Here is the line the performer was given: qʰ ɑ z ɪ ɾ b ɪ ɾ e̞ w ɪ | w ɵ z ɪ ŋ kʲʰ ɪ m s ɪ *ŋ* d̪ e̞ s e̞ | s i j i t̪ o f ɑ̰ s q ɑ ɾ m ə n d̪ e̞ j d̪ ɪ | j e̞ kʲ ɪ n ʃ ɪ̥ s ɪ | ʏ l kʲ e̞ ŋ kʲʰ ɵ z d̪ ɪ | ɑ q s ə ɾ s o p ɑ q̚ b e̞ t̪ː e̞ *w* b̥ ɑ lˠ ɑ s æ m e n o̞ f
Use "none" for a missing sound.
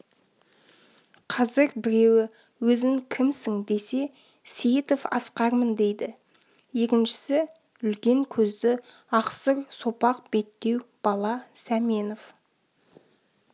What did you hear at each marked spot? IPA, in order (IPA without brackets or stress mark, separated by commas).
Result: ŋ, w